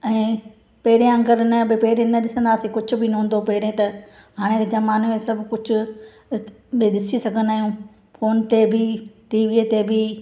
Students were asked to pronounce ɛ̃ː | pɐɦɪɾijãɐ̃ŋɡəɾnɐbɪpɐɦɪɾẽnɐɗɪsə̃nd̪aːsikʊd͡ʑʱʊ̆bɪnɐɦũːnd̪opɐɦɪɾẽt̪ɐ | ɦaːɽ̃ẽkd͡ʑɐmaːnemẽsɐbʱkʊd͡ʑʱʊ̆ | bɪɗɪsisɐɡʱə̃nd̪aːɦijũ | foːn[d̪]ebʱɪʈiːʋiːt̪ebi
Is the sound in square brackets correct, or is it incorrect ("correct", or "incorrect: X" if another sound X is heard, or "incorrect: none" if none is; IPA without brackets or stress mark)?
incorrect: t̪